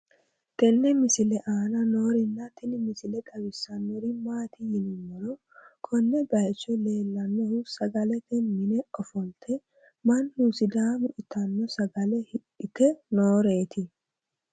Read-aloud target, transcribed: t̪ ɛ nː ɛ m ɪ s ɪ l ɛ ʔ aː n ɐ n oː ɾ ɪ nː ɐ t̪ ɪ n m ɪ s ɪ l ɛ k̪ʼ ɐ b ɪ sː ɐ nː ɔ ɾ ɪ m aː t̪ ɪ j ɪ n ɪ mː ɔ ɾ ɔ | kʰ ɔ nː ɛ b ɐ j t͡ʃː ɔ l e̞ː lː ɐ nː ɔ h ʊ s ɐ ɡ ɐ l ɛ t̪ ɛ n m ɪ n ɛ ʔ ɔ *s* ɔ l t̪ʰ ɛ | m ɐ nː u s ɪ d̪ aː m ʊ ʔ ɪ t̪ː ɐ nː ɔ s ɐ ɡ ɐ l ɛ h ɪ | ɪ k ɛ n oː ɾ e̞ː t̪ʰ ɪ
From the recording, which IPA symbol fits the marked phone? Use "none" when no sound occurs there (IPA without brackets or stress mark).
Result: f